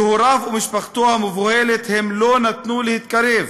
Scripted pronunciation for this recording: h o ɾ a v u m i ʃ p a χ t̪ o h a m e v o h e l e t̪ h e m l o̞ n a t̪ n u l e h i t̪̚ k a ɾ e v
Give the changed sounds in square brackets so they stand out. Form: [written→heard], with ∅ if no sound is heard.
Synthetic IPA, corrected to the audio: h o ɾ a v u m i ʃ p a χ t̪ o h a m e v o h e l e t̪ h e m l o̞ n a t̪ n u l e h i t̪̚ k a ɾ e v